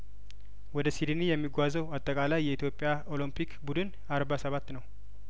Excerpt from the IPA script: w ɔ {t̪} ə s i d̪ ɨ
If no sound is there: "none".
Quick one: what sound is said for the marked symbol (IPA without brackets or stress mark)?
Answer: d̪